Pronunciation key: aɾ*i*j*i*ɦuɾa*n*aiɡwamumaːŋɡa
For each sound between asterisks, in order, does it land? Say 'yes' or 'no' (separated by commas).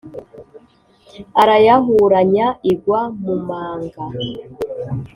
no, no, no